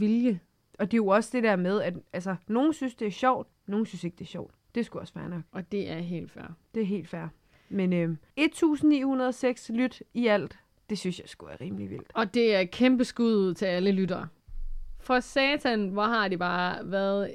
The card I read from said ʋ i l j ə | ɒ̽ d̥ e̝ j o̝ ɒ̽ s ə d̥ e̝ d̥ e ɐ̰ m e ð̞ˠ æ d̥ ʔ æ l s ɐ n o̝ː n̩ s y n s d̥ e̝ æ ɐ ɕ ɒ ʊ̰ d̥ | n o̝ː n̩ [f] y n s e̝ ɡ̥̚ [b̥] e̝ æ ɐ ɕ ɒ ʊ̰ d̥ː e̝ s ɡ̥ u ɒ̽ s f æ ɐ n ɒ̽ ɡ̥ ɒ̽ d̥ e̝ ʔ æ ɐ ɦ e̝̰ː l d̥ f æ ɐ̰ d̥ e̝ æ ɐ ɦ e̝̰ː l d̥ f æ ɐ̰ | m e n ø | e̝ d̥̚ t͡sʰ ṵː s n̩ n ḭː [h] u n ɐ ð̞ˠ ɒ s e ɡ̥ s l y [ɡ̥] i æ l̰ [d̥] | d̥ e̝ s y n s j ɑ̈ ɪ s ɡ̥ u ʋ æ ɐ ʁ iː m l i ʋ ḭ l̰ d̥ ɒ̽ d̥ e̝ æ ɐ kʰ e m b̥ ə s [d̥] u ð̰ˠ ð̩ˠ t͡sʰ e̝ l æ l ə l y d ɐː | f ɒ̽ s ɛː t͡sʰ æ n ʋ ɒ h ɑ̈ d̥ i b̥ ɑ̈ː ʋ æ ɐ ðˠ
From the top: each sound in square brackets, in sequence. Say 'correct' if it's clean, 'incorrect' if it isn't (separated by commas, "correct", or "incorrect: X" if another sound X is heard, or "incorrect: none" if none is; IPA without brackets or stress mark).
incorrect: s, incorrect: d̥, correct, incorrect: d̥, correct, incorrect: ɡ̥